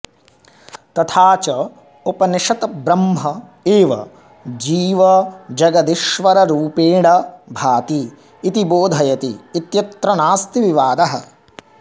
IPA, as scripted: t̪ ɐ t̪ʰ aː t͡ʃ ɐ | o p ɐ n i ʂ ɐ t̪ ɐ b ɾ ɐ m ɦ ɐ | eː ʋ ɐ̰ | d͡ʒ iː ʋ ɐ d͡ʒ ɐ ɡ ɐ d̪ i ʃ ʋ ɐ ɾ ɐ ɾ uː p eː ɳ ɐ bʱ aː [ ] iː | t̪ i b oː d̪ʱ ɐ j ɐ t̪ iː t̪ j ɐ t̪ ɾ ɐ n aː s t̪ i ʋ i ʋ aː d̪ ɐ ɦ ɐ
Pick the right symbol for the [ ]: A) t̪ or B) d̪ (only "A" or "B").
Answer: A